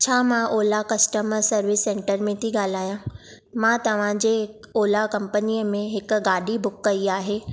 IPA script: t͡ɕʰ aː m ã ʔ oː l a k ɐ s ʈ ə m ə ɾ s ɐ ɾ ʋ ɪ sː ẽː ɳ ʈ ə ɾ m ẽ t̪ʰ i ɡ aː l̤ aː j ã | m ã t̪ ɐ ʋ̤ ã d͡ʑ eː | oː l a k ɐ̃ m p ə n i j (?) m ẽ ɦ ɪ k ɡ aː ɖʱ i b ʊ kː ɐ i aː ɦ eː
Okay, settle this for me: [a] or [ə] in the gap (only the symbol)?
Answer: ə